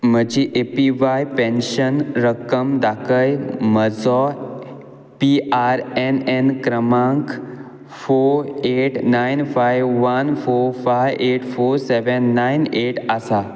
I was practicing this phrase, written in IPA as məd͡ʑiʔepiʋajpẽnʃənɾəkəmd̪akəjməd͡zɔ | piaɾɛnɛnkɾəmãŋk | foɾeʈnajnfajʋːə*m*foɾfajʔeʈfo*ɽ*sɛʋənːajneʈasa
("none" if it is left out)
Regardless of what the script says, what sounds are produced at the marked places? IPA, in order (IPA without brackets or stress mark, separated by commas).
n, ɾ